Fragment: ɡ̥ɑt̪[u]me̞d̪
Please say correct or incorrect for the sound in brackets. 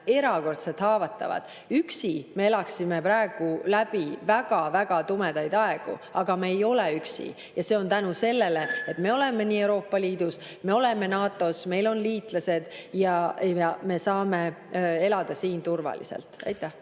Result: correct